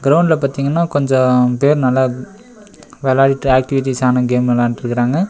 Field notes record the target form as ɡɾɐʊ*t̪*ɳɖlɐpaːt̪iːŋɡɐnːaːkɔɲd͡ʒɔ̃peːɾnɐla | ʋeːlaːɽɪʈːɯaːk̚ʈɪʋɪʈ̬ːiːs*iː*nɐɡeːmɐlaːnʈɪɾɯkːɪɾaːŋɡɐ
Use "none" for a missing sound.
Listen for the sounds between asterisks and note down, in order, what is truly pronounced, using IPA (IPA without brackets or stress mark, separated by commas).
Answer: none, aː